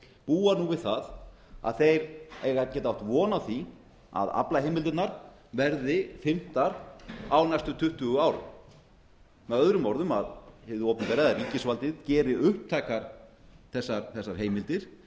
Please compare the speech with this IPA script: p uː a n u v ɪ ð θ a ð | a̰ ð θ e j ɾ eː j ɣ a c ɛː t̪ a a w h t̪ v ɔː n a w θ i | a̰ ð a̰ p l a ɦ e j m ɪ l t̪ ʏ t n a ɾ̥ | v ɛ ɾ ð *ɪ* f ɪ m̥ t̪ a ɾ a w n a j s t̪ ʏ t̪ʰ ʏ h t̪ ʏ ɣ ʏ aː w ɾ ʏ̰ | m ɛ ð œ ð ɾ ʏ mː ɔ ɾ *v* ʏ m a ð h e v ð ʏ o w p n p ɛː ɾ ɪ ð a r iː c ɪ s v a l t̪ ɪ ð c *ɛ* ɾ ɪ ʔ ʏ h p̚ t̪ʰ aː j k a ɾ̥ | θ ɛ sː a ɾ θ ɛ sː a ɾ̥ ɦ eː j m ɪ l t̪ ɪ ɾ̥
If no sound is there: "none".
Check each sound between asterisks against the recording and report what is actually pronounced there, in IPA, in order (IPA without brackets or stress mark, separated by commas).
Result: ɪ, ð, ɛː